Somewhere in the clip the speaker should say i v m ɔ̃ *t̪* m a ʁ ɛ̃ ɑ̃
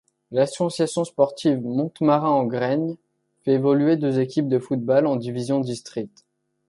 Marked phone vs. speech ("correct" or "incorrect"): correct